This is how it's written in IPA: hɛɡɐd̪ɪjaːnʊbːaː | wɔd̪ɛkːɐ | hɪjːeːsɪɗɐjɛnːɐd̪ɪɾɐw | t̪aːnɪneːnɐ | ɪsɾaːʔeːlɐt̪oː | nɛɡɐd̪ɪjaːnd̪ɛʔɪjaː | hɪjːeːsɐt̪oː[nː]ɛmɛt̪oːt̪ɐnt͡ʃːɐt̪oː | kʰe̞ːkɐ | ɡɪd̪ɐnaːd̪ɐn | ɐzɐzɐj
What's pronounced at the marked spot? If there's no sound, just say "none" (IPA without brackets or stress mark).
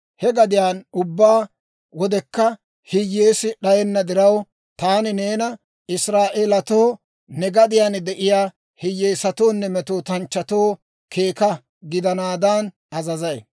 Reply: nː